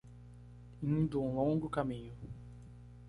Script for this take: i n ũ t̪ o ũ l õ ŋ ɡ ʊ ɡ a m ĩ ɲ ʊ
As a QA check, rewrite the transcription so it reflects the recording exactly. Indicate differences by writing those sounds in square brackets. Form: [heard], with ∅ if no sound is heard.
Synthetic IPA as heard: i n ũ [d̪] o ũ l õ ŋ ɡ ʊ [k] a m ĩ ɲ ʊ